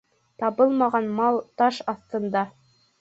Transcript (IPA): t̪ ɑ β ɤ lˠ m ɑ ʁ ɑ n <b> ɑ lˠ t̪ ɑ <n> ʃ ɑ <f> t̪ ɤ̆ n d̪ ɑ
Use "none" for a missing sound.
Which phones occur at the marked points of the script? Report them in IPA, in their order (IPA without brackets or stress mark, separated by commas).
m, none, θ